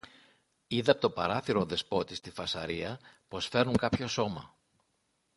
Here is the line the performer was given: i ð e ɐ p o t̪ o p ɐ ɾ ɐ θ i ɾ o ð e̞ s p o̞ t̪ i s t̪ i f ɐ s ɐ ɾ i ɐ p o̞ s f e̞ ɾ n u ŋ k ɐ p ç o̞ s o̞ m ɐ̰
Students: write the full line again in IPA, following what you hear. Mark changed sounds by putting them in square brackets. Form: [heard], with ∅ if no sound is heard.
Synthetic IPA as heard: i ð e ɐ p o t̪ o p ɐ ɾ ɐ θ i ɾ o ð e̞ s p o̞ t̪ i s t̪ i f ɐ s ɐ ɾ i ɐ p o̞ s f e̞ ɾ n u ŋ k ɐ p ç o̞ s o̞ m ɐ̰